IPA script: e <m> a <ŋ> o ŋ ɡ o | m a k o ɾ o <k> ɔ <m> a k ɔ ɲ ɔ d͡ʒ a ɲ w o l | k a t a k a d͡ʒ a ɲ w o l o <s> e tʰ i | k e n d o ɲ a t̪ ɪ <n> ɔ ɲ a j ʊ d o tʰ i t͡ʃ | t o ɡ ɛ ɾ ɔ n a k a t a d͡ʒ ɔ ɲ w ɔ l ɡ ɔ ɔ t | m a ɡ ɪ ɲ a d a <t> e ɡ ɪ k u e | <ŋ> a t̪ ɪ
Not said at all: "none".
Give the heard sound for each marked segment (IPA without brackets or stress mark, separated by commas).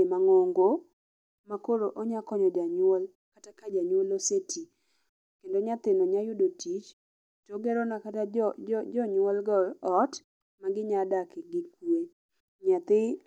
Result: m, ŋ, ʔ, ɲ, s, n, k, ɲ